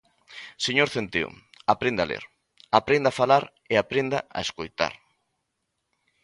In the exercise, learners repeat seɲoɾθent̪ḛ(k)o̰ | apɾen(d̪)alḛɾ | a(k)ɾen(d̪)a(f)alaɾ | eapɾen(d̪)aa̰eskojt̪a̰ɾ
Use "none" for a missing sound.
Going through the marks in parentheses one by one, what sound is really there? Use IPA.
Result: none, d̪, p, d̪, f, d̪

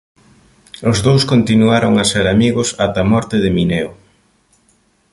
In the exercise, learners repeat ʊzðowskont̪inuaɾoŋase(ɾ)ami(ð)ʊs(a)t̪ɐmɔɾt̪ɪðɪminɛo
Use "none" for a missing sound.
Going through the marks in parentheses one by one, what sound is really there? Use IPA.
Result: ɾ, ɣ, a

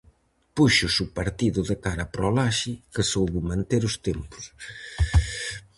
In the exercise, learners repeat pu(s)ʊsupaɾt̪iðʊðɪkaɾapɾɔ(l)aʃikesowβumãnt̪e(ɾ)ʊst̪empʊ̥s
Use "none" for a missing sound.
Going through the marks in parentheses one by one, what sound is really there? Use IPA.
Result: ʃ, l, ɾ

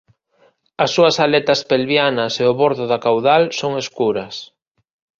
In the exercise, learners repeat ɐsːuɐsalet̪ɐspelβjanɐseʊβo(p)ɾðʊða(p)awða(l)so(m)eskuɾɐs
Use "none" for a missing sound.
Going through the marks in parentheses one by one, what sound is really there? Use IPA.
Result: none, k, l, ŋ

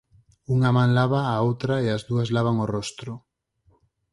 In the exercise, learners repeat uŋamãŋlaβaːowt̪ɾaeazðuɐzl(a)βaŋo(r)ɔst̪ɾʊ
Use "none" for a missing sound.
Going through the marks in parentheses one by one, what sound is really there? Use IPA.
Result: a, r

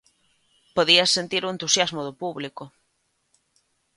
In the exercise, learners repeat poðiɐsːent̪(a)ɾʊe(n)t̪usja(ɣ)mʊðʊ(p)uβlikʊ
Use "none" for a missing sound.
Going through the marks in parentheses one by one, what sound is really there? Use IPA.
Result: i, n, z, p

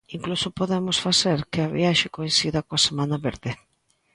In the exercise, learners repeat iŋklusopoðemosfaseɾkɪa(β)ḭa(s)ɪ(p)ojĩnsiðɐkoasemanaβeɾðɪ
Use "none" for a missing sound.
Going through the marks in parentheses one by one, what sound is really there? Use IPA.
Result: β, ʃ, k

